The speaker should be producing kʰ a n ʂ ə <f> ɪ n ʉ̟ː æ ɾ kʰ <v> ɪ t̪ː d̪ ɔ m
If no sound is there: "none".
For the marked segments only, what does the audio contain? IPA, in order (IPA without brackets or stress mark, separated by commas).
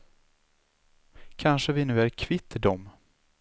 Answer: v, v